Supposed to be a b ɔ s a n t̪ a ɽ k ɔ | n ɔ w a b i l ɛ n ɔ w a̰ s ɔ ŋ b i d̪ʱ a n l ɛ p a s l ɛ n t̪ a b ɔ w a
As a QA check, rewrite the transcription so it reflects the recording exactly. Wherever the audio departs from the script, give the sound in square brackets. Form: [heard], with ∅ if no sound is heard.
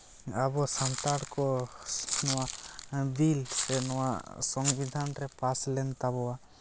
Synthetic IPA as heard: a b ɔ s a n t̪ a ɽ k ɔ | n ɔ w a b i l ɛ n ɔ w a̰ s ɔ ŋ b i d̪ʱ a n [ɾ] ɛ p a s l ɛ n t̪ a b ɔ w a